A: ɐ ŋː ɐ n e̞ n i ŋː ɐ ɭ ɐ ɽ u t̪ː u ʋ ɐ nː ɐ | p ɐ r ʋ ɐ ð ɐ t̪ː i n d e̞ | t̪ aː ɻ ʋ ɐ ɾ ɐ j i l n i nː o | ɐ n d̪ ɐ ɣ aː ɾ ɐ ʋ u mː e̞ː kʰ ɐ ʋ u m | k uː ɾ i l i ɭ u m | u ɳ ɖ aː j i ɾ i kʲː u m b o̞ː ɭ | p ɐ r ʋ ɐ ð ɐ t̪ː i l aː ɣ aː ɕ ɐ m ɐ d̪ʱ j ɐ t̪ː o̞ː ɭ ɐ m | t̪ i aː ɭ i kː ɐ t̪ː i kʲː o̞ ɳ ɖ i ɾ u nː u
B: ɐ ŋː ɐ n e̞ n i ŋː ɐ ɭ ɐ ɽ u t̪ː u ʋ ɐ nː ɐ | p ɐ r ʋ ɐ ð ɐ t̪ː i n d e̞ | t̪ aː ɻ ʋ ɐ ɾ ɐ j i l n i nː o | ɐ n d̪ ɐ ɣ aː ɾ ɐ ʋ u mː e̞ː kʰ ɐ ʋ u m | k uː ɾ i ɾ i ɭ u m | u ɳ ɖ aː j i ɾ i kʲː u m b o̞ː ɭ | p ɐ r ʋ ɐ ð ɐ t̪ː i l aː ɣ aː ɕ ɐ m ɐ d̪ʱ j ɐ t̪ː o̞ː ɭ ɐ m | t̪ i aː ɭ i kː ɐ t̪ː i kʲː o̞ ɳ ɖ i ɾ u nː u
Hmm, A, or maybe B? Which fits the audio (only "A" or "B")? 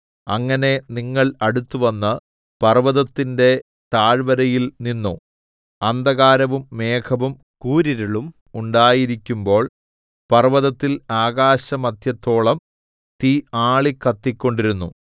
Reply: B